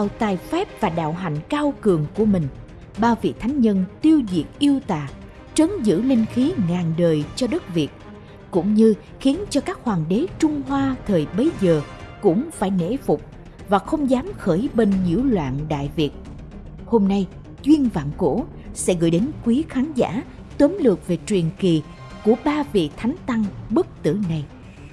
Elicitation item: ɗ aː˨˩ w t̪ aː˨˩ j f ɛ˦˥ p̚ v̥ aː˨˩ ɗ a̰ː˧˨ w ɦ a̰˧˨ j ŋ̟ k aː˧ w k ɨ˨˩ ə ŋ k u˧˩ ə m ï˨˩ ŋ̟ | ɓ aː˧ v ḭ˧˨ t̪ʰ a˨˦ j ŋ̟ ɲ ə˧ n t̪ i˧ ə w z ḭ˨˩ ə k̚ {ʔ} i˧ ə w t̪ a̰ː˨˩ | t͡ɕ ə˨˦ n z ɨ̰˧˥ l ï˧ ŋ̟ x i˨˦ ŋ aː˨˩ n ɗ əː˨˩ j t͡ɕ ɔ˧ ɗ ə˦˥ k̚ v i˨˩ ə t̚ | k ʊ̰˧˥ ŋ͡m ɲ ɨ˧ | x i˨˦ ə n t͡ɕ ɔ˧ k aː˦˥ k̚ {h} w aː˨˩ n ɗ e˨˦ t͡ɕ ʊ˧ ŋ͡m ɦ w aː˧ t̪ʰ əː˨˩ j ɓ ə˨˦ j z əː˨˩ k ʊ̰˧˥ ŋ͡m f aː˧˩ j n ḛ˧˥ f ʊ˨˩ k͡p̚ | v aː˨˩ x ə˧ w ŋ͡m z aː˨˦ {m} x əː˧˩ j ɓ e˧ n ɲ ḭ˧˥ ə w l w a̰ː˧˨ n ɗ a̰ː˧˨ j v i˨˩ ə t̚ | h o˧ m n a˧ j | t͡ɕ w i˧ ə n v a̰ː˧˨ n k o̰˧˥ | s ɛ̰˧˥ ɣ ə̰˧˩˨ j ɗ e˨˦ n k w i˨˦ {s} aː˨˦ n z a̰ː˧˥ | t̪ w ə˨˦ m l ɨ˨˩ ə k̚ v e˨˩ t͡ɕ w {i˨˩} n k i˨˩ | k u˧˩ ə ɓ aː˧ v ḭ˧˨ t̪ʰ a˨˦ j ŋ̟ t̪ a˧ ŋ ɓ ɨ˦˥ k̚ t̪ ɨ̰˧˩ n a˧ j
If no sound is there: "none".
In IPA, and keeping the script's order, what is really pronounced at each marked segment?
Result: ʔ, h, m, x, i˨˩

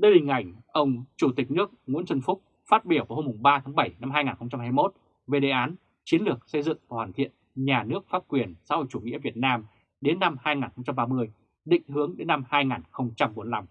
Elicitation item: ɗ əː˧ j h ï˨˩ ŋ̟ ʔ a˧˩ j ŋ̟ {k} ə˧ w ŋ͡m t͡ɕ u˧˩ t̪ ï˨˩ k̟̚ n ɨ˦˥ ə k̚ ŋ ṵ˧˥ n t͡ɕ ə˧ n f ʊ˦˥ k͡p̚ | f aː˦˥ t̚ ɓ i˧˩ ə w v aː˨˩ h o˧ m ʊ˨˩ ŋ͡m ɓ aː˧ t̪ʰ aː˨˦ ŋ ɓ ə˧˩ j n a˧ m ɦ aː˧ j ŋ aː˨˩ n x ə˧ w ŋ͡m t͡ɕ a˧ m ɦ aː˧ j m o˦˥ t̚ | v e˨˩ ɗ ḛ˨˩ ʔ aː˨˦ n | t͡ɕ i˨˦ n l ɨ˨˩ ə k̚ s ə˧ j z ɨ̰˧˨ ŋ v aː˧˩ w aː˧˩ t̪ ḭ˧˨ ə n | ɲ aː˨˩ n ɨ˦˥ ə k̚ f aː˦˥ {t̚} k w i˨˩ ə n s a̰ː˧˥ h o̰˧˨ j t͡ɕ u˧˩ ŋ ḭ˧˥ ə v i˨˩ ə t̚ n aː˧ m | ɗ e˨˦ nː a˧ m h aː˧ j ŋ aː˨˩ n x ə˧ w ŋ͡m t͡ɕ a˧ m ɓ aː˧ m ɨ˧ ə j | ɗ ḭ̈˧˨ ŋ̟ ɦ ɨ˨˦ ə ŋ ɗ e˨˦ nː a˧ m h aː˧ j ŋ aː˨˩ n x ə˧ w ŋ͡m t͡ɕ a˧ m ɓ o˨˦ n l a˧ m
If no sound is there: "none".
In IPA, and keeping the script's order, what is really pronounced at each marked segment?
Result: ʔ, p̚

